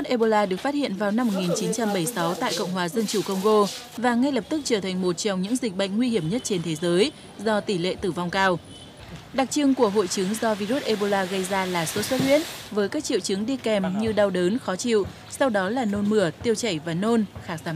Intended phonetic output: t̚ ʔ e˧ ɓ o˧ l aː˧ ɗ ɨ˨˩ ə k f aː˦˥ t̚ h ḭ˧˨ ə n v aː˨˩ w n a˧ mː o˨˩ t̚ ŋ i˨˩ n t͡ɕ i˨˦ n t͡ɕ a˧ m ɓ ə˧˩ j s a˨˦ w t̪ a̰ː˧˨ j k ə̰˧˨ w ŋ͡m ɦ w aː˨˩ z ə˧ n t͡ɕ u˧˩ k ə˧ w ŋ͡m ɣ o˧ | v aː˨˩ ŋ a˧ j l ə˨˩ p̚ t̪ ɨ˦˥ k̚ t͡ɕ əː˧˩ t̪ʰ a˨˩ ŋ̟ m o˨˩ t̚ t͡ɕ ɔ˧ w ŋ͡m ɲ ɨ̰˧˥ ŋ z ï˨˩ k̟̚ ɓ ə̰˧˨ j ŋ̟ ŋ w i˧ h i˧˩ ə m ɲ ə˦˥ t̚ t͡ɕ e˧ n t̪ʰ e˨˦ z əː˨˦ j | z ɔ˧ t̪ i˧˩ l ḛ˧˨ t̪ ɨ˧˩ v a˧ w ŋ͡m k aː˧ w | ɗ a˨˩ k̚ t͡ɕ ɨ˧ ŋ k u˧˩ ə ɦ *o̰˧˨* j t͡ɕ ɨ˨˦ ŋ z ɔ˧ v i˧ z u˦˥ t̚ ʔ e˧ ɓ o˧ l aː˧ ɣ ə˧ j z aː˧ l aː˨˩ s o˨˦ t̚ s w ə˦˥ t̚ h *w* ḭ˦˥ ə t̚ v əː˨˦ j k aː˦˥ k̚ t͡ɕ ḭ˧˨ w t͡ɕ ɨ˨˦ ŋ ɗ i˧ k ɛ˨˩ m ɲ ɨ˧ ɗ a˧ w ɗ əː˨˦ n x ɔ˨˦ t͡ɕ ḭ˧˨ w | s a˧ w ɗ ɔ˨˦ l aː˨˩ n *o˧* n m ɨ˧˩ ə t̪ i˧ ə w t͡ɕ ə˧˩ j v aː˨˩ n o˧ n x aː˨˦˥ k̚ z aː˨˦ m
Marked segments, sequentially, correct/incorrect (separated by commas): correct, correct, correct